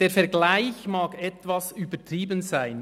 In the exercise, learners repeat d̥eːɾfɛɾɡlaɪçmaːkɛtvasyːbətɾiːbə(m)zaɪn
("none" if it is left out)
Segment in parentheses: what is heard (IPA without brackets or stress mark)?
n